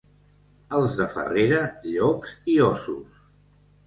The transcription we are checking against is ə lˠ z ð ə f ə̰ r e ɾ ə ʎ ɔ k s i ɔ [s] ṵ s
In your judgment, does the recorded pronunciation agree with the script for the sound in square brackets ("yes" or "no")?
yes